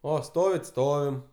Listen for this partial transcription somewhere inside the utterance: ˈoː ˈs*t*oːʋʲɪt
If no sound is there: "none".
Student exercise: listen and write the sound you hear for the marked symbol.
t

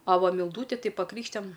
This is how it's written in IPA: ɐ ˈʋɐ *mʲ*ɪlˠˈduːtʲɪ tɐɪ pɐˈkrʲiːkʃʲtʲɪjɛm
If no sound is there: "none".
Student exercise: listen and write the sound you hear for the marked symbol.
mʲ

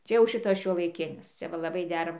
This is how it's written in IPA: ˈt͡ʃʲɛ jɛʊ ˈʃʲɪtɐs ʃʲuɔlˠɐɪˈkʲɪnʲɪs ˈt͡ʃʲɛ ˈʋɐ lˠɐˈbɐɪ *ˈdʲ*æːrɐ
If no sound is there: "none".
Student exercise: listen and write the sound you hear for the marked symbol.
dʲ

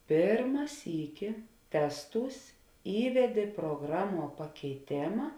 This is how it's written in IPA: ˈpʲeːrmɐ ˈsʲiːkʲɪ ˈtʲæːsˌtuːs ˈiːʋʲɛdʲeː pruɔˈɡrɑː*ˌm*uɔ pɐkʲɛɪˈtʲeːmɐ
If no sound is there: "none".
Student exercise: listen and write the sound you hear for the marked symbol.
m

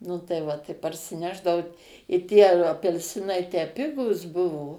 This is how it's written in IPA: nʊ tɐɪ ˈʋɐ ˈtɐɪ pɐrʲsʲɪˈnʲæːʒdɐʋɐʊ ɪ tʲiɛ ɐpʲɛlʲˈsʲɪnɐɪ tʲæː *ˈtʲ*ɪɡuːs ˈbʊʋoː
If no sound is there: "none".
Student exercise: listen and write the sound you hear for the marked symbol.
pʲ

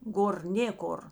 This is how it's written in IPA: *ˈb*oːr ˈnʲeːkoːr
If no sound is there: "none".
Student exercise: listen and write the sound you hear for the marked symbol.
ɡ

